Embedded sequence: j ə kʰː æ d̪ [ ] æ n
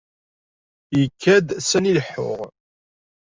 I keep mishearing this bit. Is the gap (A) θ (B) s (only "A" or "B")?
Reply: B